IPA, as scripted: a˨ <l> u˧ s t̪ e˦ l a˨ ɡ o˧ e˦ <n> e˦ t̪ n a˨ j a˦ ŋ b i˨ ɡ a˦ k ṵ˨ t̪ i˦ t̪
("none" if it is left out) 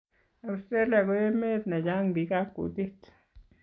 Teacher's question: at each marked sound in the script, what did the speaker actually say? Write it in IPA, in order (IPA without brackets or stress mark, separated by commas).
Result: none, m